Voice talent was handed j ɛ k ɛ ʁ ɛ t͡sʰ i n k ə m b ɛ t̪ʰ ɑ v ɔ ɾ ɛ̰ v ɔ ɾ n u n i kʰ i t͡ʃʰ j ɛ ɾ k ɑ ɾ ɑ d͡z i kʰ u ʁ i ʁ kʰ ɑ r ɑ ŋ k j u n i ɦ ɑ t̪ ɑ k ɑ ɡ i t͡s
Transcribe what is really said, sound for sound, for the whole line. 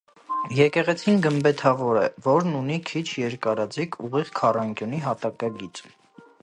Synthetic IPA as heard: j ɛ k ɛ ʁ ɛ t͡sʰ i n ɡ ə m b ɛ t̪ʰ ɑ v ɔ ɾ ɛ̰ v ɔ ɾ n u n i kʰ i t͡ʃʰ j ɛ ɾ k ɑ ɾ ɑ d͡z i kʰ u ʁ i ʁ kʰ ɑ r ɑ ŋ k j u n i ɦ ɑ t̪ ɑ k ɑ ɡ i t͡s